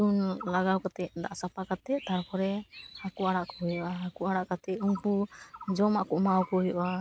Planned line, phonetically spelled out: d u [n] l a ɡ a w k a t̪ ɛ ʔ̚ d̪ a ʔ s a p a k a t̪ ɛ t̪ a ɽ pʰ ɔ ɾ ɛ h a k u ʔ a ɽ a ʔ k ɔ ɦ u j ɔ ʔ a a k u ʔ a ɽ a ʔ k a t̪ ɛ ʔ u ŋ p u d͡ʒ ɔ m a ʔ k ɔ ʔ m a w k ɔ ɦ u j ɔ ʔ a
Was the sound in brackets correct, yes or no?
yes